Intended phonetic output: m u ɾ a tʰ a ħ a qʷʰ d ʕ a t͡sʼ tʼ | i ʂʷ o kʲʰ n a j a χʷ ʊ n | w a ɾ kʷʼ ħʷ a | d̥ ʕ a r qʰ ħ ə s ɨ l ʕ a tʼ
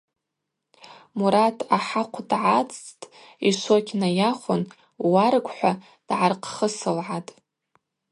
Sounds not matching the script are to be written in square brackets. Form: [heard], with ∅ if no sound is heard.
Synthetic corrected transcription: m u ɾ a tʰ a ħ a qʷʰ d ʕ a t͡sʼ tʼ | i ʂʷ o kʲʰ n a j a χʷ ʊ n | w a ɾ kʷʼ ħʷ a | d̥ ʕ a r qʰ [χ] ə s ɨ l ʕ a tʼ